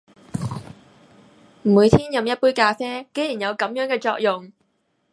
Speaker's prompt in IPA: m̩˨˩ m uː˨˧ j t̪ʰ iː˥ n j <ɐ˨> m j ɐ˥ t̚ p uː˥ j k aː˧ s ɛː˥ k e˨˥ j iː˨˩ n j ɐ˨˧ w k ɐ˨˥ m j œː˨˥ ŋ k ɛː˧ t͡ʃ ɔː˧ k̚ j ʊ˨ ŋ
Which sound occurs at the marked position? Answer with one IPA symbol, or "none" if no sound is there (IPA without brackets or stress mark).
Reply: ɐ˨